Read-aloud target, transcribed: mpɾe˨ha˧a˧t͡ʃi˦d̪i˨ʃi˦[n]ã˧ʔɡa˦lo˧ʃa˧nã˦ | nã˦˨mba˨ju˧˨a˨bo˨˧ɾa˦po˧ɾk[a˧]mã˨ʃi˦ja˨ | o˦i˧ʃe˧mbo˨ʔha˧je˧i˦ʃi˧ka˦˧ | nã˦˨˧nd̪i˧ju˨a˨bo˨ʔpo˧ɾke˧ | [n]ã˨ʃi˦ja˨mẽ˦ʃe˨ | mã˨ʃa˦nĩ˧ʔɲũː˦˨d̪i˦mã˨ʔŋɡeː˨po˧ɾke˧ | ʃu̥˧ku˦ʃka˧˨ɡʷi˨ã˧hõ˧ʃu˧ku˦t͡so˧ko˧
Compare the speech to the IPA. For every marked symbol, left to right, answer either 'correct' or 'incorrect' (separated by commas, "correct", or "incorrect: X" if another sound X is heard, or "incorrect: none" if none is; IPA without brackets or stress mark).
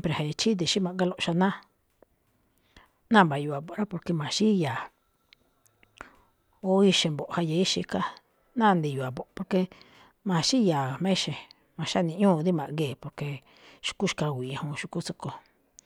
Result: incorrect: m, incorrect: e˧, incorrect: m